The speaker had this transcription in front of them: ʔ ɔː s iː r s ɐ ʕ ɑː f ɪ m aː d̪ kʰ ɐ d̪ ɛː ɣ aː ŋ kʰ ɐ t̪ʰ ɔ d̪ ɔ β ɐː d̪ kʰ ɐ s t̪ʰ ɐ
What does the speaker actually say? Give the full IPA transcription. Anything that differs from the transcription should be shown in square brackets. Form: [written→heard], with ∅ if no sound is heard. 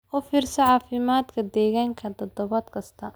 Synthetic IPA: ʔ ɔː [s→f] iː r s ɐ ʕ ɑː f ɪ m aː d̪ kʰ ɐ d̪ ɛː ɣ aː ŋ kʰ ɐ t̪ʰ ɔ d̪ ɔ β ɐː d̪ kʰ ɐ s t̪ʰ ɐ

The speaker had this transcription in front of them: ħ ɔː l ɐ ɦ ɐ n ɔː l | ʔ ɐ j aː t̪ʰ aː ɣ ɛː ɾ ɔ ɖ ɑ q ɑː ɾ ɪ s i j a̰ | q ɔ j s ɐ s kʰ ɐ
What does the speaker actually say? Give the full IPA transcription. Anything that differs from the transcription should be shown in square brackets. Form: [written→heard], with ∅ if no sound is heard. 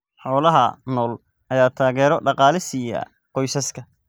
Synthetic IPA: ħ ɔː l ɐ ɦ ɐ n ɔː l | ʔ ɐ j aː t̪ʰ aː ɣ ɛː ɾ ɔ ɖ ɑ q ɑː [ɾ→l] ɪ s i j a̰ | q ɔ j s ɐ s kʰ ɐ

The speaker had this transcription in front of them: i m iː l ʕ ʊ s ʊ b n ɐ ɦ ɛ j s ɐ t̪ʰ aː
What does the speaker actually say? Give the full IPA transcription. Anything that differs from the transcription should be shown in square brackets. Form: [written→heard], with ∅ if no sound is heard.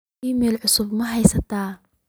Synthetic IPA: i m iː l ʕ ʊ s ʊ b [n→m] ɐ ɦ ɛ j s ɐ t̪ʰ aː

